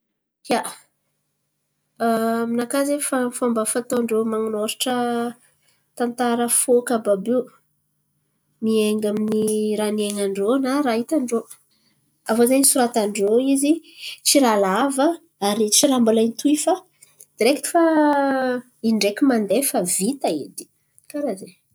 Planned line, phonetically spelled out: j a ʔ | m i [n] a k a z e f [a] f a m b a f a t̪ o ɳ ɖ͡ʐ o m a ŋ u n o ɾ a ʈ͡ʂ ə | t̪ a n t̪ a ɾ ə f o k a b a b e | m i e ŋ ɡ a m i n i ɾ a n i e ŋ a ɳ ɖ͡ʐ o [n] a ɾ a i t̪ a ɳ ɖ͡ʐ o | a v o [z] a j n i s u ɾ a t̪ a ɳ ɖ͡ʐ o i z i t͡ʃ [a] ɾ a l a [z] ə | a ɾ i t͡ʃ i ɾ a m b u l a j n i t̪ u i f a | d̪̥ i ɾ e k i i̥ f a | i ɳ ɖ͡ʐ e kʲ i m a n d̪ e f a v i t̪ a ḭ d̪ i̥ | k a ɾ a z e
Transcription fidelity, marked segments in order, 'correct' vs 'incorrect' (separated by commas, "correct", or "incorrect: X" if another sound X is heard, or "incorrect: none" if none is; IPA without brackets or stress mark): correct, correct, correct, correct, incorrect: i, incorrect: v